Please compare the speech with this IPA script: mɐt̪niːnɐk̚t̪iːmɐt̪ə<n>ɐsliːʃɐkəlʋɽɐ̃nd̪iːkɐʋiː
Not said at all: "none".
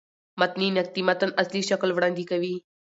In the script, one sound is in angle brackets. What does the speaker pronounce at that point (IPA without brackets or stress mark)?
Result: n